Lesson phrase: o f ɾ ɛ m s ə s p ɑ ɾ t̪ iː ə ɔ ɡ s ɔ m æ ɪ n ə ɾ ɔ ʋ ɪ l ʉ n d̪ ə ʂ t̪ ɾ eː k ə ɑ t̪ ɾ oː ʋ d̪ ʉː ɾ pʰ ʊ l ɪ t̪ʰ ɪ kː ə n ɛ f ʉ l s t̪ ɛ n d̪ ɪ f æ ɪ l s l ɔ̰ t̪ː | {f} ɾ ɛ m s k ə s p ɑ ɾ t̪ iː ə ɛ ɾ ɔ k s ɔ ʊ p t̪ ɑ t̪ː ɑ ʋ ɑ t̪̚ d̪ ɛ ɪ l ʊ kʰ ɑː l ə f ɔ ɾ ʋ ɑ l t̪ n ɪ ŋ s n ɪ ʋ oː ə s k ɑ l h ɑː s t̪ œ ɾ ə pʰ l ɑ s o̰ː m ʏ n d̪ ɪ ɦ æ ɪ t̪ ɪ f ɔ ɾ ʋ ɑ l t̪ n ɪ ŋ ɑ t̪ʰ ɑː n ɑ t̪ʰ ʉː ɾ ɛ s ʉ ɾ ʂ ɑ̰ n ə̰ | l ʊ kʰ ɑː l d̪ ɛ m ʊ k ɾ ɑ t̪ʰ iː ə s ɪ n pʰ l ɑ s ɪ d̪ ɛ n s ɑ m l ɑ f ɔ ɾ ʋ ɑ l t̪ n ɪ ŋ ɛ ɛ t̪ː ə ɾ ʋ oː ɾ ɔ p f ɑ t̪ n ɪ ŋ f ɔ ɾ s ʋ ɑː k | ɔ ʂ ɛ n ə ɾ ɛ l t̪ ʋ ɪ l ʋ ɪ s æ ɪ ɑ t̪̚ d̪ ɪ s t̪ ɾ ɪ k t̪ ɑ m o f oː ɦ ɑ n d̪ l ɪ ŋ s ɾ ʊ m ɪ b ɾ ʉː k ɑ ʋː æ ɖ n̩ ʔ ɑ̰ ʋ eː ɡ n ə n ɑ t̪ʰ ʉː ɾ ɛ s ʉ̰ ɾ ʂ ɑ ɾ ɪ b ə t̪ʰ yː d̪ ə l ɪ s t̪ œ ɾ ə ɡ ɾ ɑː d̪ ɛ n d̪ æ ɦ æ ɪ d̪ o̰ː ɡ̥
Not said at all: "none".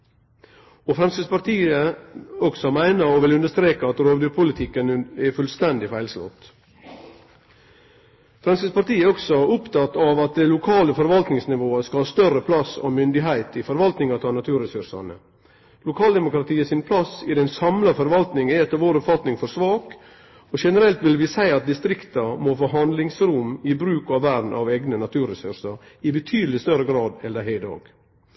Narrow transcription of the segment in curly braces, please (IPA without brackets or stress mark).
f